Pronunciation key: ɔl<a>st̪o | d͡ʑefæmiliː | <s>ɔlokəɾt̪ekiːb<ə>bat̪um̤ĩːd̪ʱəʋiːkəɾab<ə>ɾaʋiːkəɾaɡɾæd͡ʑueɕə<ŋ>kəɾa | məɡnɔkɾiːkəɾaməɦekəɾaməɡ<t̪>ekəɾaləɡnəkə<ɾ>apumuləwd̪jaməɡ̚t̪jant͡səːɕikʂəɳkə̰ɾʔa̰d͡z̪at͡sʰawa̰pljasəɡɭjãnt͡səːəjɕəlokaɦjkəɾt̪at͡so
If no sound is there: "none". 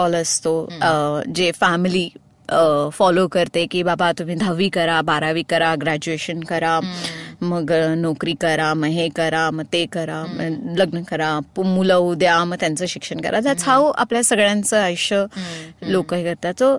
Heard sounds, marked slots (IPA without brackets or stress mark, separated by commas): ə, f, a, a, n, t̪, ɾ